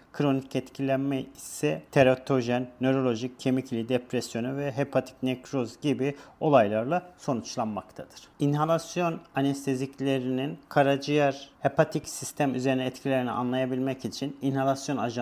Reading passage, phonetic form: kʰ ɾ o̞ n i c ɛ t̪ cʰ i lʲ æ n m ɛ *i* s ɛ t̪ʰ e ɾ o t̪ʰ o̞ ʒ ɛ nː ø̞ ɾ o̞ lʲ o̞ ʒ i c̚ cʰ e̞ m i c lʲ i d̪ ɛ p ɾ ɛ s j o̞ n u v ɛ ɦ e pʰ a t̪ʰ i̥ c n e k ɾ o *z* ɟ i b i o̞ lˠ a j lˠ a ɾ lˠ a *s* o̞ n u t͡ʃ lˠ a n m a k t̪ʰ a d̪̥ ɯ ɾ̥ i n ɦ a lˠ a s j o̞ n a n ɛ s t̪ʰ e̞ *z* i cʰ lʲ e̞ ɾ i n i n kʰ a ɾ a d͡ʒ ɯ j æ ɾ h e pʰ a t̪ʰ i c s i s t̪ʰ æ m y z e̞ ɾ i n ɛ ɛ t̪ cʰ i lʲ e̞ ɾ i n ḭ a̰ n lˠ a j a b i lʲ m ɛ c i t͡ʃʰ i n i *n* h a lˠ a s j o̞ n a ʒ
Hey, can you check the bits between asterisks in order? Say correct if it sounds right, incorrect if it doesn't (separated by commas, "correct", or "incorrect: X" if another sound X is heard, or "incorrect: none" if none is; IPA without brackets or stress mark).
correct, correct, correct, correct, correct